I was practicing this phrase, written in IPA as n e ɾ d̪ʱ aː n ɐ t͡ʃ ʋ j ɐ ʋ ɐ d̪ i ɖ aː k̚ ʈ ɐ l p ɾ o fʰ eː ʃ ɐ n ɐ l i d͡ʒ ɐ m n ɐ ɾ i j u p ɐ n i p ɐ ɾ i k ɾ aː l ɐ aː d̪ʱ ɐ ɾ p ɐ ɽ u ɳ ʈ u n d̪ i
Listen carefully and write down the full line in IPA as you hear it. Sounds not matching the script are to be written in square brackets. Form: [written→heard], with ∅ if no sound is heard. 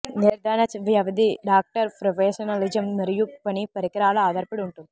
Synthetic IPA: n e ɾ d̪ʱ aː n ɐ t͡ʃ ʋ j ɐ ʋ ɐ d̪ i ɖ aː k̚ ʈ ɐ [l→ɾ] p ɾ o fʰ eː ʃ ɐ n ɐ l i d͡ʒ ɐ m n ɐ ɾ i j u p ɐ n i p ɐ ɾ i k ɾ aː l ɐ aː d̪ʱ ɐ ɾ p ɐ ɽ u ɳ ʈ u n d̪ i

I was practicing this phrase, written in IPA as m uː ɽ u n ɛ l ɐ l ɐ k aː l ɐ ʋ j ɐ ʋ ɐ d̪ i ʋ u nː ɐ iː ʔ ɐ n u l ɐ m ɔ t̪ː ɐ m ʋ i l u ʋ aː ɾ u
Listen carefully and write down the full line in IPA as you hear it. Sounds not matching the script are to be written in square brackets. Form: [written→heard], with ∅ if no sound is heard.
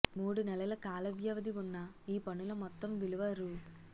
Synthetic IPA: m uː ɽ u n ɛ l ɐ l ɐ k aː l ɐ ʋ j ɐ ʋ ɐ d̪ i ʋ u nː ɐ iː [ʔ→p] ɐ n u l ɐ m ɔ t̪ː ɐ m ʋ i l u ʋ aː ɾ u

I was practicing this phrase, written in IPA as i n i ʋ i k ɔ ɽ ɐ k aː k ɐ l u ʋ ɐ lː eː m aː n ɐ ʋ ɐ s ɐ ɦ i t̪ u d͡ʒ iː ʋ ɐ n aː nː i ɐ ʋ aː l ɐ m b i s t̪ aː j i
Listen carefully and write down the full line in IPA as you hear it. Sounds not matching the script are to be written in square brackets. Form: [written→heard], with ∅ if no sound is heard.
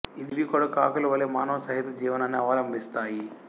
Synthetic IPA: i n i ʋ i k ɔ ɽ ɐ k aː k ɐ l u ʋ ɐ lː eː m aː n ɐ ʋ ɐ s ɐ ɦ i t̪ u d͡ʒ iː ʋ ɐ n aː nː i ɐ ʋ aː l ɐ m b i s t̪ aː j i

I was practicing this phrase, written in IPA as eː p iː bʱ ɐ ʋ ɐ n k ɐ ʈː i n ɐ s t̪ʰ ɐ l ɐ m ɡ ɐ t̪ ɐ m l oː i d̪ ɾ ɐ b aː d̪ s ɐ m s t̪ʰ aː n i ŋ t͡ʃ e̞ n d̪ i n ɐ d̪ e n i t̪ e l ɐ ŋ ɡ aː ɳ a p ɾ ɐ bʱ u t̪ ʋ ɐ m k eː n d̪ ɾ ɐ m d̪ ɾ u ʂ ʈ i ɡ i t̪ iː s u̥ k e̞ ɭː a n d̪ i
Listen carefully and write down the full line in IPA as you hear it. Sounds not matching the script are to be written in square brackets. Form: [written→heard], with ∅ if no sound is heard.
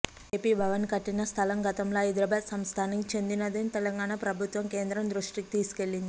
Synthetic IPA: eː p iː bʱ ɐ ʋ ɐ n k ɐ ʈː i n ɐ s t̪ʰ ɐ l ɐ m ɡ ɐ t̪ ɐ m l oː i d̪ ɾ ɐ b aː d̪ s ɐ m s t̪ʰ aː n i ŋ t͡ʃ e̞ n d̪ i n ɐ d̪ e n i t̪ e l ɐ ŋ ɡ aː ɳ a p ɾ ɐ bʱ u t̪ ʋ ɐ m k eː n d̪ ɾ ɐ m d̪ ɾ u ʂ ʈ i [ɡ→k] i t̪ iː s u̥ k e̞ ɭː [a→i] n d̪ i

